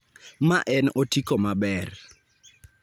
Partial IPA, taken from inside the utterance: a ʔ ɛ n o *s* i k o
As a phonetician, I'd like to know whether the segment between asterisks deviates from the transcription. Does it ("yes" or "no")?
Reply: yes